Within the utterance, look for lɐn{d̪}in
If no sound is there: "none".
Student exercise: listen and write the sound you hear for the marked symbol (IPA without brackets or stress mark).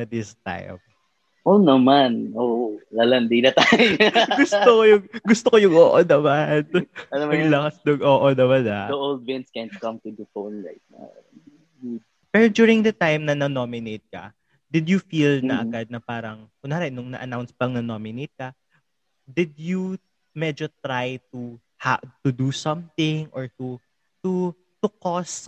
d̪